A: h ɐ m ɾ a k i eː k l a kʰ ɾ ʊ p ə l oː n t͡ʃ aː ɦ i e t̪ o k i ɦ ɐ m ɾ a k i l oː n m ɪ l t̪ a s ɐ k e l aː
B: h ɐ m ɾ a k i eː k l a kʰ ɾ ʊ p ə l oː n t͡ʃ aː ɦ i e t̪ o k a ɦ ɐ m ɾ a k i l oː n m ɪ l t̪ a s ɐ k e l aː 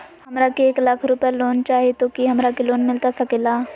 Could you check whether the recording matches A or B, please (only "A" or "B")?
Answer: A